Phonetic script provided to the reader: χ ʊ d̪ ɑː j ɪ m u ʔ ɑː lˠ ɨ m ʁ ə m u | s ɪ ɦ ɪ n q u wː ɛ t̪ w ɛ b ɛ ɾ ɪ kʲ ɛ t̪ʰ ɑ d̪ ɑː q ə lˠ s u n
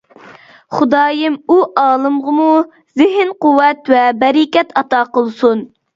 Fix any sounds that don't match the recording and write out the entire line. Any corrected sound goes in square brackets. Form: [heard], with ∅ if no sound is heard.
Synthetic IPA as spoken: χ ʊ d̪ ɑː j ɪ m u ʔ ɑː lˠ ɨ m ʁ ə m u | [z] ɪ ɦ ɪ n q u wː ɛ t̪ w ɛ b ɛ ɾ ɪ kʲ ɛ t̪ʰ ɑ [t̪] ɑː q ə lˠ s u n